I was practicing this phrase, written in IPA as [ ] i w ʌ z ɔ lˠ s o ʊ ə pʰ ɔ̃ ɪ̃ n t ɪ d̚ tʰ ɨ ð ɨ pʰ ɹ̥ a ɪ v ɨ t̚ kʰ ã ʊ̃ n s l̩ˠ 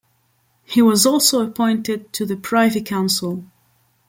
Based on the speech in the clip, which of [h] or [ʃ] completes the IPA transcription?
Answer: h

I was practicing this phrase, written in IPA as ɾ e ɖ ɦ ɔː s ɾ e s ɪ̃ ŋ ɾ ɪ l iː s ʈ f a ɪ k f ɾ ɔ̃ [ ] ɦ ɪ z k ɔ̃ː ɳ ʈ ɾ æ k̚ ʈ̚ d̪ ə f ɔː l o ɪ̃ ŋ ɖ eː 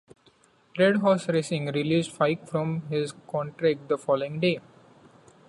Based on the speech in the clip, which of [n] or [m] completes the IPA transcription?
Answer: m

